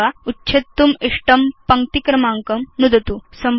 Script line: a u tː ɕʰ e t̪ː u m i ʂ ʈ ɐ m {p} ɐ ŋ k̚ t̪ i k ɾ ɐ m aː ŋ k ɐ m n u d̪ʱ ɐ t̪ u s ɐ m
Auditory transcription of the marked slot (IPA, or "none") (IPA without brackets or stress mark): p